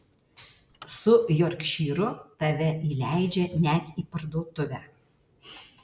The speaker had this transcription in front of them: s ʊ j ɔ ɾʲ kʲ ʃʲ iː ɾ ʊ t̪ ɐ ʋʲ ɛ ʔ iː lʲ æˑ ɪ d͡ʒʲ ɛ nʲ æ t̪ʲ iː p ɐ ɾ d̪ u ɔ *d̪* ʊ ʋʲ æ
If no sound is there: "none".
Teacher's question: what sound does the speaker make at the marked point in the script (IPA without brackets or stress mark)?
t̪